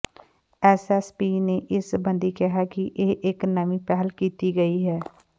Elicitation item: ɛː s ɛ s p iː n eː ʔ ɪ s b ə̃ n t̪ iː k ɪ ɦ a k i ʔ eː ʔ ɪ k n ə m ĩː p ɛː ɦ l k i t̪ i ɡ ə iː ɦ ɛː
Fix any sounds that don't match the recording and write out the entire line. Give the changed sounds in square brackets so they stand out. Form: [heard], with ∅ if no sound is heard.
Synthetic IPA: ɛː s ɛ s p iː n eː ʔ ɪ s b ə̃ n [d̪] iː k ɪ ɦ a k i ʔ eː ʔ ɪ k n ə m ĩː p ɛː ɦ l k [iː] t̪ i ɡ ə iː ɦ ɛː